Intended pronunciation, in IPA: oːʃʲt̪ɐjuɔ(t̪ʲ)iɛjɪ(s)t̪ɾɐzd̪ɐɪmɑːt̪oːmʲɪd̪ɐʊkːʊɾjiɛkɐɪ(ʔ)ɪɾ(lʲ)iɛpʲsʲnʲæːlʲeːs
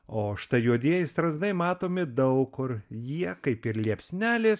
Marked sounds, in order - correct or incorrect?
incorrect, correct, incorrect, correct

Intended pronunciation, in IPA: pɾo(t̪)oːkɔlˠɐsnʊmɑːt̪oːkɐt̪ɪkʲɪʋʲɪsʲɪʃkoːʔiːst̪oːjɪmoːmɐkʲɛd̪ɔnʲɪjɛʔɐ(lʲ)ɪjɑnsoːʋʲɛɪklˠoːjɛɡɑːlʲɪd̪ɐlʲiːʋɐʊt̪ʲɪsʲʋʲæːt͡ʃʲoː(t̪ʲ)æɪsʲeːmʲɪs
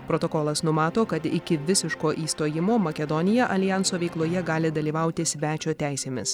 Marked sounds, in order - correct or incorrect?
correct, correct, correct

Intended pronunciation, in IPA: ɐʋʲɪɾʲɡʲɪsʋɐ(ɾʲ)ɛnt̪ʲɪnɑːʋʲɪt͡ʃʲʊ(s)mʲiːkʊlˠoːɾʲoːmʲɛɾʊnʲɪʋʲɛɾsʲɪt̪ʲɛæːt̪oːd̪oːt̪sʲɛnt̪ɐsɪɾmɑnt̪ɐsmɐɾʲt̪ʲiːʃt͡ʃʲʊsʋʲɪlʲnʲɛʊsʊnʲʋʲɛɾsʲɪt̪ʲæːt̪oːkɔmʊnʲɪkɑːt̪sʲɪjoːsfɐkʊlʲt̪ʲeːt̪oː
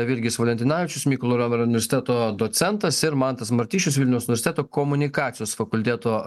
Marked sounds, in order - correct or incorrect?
incorrect, correct

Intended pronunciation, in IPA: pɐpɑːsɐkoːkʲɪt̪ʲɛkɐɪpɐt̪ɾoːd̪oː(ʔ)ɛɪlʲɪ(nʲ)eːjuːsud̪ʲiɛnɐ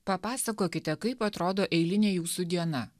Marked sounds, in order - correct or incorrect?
correct, correct

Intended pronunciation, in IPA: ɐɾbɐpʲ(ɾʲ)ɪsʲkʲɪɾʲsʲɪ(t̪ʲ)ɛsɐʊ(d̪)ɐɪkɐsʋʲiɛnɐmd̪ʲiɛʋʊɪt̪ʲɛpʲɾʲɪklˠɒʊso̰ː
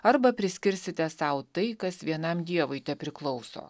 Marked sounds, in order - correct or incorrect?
correct, correct, incorrect

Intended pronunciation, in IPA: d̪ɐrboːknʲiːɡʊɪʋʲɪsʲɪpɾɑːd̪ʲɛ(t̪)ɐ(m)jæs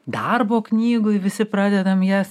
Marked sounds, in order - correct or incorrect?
incorrect, correct

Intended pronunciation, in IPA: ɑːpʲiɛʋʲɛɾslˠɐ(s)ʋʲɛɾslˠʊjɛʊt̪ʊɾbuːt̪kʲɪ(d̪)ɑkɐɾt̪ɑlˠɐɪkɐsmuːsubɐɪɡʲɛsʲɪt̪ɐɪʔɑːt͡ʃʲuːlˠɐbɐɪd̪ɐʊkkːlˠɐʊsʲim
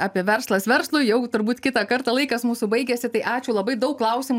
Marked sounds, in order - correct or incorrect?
correct, incorrect

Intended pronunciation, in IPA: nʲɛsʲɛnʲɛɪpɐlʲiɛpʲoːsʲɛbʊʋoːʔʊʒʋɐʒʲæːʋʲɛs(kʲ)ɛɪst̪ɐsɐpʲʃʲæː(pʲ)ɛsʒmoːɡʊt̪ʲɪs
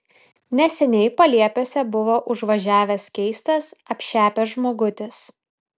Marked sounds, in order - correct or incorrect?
correct, correct

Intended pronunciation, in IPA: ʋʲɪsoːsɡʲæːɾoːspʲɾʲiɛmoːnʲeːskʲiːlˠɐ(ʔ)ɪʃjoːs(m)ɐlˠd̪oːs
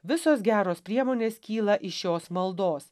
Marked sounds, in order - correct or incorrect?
correct, correct

